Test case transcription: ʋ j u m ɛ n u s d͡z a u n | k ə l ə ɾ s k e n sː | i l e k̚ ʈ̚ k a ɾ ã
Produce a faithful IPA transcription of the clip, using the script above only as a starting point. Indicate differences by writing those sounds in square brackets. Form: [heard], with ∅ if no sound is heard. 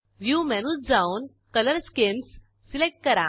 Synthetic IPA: ʋ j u m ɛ n u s d͡z a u n | k ə l ə ɾ s k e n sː | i l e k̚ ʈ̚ k [ə] ɾ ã